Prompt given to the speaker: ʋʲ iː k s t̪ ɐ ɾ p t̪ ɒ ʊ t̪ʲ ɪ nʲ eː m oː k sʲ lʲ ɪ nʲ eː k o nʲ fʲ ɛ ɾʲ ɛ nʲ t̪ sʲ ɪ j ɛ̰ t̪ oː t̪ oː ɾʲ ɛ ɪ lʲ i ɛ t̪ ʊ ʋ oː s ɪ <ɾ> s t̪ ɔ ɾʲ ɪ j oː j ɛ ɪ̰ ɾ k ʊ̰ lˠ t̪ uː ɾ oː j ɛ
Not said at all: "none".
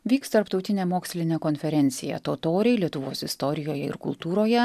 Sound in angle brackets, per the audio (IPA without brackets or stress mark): none